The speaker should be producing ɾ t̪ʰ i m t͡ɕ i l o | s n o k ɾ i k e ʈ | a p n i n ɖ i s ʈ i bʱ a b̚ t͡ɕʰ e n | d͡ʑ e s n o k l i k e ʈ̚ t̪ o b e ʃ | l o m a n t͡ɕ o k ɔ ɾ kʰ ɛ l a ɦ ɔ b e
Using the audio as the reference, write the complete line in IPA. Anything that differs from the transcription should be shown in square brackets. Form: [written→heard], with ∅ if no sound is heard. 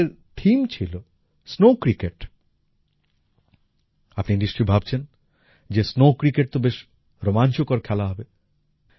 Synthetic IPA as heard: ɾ t̪ʰ i m [t͡ɕ→t͡ɕʰ] i l o | s n o k ɾ i k e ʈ | a p n i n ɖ i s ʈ i bʱ a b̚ t͡ɕʰ e n | d͡ʑ e s n o k [l→ɾ] i k e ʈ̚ t̪ o b e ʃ | [l→ɾ] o m a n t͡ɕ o k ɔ ɾ kʰ ɛ l a ɦ ɔ b e